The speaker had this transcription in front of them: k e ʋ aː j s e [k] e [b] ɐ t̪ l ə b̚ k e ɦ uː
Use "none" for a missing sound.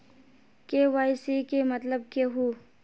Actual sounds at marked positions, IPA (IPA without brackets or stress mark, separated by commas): k, m